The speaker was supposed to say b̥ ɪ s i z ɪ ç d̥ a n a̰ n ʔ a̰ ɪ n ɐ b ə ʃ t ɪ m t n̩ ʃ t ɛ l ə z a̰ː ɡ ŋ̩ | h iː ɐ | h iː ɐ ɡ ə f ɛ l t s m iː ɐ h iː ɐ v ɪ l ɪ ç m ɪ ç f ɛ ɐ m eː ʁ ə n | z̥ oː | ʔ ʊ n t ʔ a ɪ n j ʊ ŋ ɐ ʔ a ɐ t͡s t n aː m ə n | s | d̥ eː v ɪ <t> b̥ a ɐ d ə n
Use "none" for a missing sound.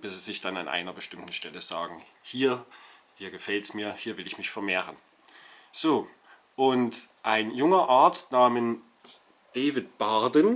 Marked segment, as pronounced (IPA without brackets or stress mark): t